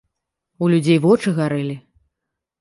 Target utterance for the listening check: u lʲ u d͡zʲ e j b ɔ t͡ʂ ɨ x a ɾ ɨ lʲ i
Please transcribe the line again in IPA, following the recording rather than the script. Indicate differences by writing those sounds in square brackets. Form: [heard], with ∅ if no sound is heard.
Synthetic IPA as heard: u lʲ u d͡zʲ e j [v] ɔ t͡ʂ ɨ [ɣ] a ɾ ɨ lʲ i